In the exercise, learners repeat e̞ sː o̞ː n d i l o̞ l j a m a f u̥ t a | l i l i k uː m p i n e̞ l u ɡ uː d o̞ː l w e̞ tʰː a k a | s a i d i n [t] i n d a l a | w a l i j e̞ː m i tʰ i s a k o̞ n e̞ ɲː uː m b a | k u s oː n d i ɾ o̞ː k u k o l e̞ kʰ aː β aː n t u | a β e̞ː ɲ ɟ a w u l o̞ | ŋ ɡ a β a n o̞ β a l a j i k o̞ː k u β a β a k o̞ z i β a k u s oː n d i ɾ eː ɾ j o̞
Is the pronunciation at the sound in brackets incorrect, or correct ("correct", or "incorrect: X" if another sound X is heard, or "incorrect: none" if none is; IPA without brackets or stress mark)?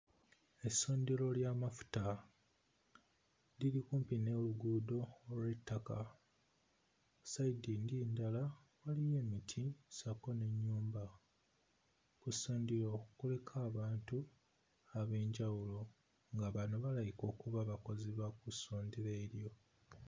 incorrect: d